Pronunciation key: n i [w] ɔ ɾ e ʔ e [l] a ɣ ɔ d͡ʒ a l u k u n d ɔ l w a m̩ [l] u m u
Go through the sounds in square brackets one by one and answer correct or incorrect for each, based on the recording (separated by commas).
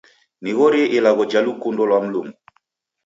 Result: incorrect, correct, correct